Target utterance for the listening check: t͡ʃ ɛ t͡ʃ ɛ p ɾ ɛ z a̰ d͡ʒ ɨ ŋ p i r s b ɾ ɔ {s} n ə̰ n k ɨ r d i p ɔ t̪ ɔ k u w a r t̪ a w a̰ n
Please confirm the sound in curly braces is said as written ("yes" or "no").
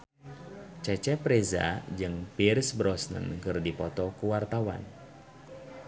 yes